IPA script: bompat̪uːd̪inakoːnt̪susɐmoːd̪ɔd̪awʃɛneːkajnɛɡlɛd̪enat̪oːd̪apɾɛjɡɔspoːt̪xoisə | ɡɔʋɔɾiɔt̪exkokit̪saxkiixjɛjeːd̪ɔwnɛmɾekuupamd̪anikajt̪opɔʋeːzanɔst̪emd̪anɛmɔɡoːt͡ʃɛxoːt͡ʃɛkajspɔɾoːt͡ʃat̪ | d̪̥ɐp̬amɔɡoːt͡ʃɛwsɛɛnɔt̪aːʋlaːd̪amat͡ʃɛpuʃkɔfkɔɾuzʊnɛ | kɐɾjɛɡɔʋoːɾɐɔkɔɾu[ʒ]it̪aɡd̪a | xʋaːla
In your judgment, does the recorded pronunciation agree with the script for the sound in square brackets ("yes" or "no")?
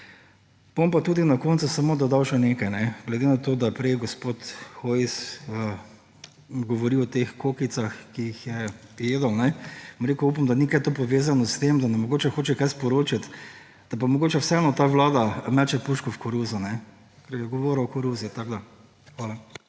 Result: no